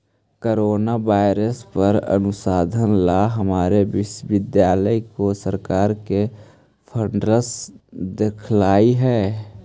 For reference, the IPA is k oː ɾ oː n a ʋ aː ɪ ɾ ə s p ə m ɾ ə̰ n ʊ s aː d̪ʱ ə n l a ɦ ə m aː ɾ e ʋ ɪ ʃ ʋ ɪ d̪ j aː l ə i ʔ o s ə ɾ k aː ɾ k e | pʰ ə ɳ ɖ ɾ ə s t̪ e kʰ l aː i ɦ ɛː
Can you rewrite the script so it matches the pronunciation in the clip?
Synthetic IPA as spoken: k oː ɾ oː n a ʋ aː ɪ ɾ ə s p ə ɾ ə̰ n ʊ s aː d̪ʱ ə n l a ɦ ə m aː ɾ e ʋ ɪ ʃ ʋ ɪ d̪ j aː l ə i k o s ə ɾ k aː ɾ k e | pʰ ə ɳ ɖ ɾ ə s d̪ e kʰ l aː i ɦ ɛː